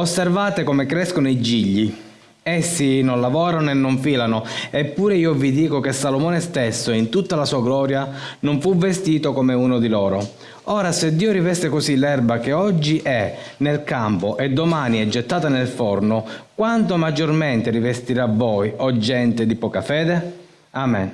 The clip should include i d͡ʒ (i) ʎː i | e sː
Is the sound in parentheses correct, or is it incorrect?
correct